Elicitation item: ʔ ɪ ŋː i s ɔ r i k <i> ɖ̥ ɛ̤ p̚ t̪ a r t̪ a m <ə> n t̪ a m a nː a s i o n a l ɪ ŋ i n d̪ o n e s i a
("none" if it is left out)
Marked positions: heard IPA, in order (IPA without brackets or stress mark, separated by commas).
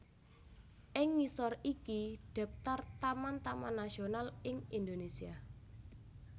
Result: i, a